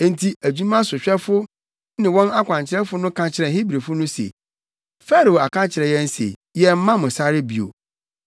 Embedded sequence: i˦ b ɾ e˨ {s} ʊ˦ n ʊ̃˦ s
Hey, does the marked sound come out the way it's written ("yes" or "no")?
no